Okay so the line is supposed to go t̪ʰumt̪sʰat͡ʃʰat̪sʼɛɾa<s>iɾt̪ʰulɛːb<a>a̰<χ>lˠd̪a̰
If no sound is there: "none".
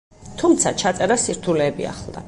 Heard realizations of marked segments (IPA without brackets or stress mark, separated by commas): s, i, χ